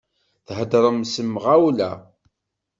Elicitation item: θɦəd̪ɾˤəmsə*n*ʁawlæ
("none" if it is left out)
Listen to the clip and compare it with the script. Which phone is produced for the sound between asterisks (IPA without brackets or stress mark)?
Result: m